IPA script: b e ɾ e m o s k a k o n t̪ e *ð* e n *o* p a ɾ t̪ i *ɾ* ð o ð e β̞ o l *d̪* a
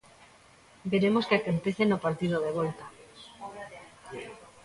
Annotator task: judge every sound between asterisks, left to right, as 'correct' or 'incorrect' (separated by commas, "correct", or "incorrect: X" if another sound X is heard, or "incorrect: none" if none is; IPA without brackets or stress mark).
incorrect: θ, correct, incorrect: none, incorrect: t̪